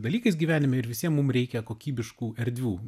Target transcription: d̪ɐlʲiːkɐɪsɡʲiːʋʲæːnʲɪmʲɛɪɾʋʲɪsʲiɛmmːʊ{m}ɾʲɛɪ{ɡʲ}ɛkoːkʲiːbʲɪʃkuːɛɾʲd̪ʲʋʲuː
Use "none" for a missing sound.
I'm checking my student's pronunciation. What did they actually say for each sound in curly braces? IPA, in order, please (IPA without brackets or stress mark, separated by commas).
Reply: m, kʲ